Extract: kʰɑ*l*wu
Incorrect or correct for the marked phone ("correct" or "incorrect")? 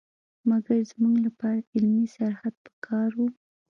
incorrect